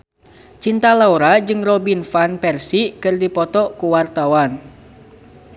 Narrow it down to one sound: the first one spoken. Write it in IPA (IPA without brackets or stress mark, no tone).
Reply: t͡ʃ